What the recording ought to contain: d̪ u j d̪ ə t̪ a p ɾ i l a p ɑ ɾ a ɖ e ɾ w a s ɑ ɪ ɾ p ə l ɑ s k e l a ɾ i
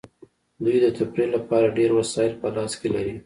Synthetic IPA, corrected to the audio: d̪ u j d̪ ə t̪ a p ɾ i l a p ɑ ɾ a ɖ e ɾ w a s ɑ ɪ l p ə l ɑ s k e l a ɾ i